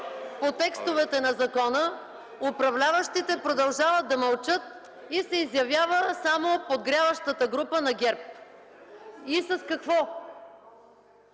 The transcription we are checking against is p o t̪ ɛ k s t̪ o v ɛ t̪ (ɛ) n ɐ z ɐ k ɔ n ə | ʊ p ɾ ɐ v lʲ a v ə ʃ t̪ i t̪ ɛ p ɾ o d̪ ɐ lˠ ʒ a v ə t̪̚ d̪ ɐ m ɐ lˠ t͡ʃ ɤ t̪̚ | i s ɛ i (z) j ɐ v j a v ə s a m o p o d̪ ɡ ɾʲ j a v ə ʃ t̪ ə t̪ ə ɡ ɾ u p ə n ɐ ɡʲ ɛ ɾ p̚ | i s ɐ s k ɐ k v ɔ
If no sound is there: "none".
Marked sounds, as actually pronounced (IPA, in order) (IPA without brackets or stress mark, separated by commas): ɛ, z